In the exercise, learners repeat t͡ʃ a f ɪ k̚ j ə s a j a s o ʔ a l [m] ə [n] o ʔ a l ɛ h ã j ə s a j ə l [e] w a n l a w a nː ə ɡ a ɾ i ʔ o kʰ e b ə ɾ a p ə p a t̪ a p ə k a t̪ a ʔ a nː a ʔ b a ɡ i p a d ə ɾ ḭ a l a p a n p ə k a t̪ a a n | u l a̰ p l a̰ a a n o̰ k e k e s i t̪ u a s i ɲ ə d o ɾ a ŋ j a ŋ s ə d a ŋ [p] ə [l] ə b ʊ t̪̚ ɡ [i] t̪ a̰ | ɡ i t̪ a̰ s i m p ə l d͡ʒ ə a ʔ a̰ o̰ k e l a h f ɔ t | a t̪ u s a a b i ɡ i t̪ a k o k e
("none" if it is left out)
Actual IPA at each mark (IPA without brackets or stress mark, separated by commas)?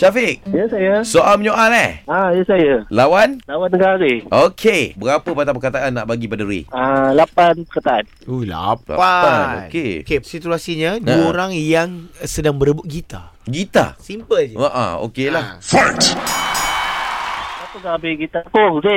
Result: m, ɲ, a, b, ɾ, i